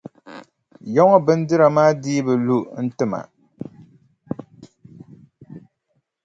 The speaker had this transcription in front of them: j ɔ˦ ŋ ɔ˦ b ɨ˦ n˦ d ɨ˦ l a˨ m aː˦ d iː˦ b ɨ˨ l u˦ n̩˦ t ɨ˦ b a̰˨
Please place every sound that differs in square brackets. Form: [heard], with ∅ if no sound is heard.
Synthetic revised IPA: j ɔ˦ ŋ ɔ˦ b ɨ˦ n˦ d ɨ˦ [ɾ] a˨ m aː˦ d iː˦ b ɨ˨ l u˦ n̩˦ t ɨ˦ [m] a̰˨